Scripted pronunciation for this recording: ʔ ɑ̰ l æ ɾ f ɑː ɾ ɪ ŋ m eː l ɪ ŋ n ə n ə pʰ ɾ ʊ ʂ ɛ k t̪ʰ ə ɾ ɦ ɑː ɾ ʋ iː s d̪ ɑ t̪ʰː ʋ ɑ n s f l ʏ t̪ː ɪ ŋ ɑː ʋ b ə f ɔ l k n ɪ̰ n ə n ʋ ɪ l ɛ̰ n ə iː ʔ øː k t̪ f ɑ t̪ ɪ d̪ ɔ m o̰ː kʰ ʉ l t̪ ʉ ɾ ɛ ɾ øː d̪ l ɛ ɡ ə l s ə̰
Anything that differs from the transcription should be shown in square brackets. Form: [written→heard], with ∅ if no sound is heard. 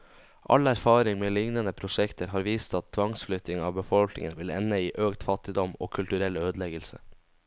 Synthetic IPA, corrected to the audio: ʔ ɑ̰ l æ ɾ f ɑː ɾ ɪ ŋ m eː l ɪ ŋ n ə n ə pʰ ɾ ʊ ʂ ɛ k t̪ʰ ə ɾ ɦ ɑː ɾ ʋ iː s [d̪→t̪] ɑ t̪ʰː ʋ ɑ [n→ŋ] s f l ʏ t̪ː ɪ ŋ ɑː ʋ b ə f ɔ l k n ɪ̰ [n→ŋ] ə n ʋ ɪ l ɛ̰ n ə iː ʔ øː k t̪ f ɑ t̪ ɪ d̪ ɔ m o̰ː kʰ ʉ l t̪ ʉ ɾ ɛ [ɾ→l] øː d̪ l ɛ ɡ ə l s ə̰